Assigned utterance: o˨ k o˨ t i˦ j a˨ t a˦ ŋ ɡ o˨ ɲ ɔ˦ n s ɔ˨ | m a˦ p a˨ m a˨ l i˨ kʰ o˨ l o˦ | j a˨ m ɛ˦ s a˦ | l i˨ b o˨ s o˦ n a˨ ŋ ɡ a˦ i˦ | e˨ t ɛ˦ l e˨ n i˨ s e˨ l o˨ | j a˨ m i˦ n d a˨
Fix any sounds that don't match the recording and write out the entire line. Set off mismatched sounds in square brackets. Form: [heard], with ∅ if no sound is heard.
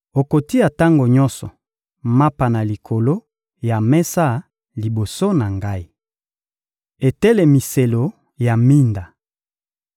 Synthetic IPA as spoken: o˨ k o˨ t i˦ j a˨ t a˦ ŋ ɡ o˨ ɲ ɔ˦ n s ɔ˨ | m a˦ p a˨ [n] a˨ l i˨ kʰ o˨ l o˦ | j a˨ m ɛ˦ s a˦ | l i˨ b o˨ s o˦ n a˨ ŋ ɡ a˦ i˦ | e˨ t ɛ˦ l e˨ [m] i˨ s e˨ l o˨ | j a˨ m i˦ n d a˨